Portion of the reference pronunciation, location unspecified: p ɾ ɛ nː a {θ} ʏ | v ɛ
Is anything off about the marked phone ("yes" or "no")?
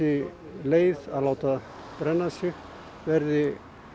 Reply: yes